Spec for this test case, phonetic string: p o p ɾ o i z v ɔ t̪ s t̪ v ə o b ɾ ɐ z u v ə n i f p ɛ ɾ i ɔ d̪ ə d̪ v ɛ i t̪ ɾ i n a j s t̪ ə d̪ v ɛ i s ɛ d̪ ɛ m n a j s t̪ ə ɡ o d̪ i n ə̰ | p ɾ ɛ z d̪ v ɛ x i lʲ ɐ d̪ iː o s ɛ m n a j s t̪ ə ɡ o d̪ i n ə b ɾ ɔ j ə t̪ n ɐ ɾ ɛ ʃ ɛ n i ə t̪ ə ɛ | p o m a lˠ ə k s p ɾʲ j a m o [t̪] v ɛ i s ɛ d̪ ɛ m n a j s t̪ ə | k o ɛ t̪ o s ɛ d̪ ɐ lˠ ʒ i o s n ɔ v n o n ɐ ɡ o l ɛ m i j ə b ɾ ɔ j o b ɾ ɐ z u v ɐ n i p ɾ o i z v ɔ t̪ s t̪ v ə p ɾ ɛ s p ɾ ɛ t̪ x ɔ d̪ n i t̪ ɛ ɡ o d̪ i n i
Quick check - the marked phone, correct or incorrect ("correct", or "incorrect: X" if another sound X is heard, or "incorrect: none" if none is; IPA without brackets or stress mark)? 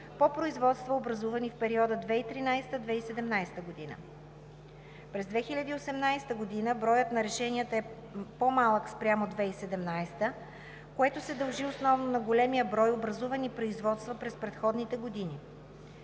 incorrect: d̪